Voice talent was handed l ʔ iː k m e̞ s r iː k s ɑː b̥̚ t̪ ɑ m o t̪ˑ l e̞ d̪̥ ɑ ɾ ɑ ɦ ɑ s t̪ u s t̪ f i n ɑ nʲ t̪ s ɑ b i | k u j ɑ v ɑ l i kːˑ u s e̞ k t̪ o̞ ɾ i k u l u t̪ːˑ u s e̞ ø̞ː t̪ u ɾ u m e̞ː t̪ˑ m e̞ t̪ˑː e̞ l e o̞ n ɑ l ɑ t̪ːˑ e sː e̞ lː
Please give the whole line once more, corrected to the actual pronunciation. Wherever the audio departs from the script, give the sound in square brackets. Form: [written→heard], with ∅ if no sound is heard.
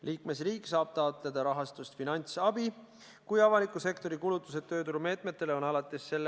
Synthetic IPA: l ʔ iː k m e̞ s r iː k s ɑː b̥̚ t̪ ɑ [m→∅] o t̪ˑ l e̞ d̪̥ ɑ ɾ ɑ ɦ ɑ s t̪ u s t̪ f i n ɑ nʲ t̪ s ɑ b i | k u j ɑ v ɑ l i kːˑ u s e̞ k t̪ o̞ ɾ i k u l u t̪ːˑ u s e̞ ø̞ː t̪ u ɾ u m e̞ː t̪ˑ m e̞ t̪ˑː e̞ l e o̞ n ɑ l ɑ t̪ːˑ e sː e̞ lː